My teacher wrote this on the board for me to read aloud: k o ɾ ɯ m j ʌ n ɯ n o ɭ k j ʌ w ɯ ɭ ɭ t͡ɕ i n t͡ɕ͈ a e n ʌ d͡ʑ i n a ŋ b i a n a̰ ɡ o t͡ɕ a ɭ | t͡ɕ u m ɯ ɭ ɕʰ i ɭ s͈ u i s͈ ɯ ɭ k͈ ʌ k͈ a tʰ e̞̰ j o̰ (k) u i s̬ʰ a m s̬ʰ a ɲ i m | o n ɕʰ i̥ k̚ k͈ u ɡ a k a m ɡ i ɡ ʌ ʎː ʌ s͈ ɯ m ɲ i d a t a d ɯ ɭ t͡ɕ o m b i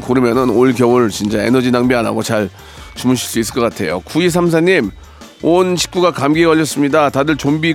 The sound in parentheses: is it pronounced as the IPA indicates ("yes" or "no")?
yes